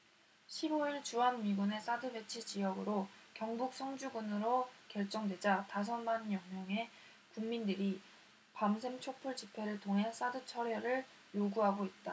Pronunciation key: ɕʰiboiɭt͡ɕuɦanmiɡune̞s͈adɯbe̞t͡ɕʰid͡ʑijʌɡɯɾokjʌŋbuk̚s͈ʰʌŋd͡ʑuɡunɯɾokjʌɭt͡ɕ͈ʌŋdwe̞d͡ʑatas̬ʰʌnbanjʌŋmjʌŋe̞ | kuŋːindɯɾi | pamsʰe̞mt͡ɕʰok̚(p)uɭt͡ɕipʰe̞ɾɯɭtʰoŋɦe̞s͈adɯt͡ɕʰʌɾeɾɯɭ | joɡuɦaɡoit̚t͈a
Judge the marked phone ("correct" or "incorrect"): incorrect